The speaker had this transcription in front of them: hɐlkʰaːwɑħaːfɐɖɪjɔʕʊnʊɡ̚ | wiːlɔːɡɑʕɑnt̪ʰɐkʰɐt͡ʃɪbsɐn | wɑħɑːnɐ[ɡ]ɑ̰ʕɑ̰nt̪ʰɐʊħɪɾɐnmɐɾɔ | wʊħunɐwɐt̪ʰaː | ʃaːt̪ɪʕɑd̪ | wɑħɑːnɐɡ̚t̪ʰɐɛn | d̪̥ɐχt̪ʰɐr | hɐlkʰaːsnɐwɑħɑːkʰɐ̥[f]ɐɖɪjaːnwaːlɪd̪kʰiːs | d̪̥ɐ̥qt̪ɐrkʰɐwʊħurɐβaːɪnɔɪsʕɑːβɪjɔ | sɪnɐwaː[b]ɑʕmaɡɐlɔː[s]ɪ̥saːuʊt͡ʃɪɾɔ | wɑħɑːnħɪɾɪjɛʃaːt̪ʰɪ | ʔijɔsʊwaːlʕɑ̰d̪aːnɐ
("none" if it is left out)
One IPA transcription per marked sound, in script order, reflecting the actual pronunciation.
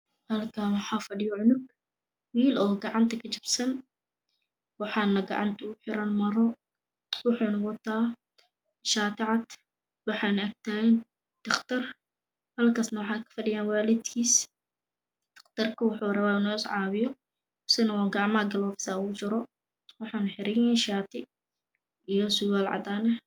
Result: ɡ, f, ɡ, f

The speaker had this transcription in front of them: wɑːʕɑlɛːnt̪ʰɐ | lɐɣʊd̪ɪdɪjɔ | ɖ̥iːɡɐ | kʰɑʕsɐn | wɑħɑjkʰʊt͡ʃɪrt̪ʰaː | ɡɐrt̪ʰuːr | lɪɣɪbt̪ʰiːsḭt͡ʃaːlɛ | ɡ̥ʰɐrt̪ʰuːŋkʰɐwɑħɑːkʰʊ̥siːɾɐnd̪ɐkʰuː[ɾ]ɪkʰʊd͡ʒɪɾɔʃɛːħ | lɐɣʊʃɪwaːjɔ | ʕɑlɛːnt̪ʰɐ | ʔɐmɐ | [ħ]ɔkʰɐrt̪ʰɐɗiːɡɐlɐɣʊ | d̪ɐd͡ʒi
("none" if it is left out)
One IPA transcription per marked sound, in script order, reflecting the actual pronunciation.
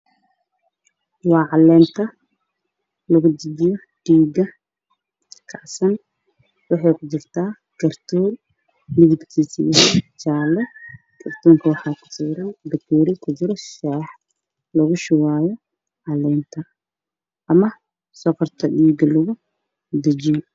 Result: ɾ, s

